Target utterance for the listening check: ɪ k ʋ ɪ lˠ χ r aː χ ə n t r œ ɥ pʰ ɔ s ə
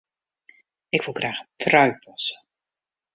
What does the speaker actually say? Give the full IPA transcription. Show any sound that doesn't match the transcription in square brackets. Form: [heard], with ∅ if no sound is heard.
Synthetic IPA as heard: ɪ k ʋ ɪ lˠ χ r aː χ ə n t r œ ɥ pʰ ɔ s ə